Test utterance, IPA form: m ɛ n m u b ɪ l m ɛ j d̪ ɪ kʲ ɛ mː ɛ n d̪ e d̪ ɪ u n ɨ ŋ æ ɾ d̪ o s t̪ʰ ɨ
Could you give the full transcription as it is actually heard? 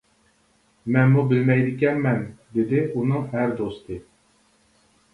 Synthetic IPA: m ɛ n m u b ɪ l m ɛ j d̪ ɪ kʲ ɛ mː ɛ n d̪ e d̪ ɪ u n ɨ ŋ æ ɾ d̪ o s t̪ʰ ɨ